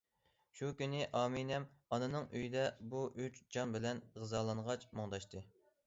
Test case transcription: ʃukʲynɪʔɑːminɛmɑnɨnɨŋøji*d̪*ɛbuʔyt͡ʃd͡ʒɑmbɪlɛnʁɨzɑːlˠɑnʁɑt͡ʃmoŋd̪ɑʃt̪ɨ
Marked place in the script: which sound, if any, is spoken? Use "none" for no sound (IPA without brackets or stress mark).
d̪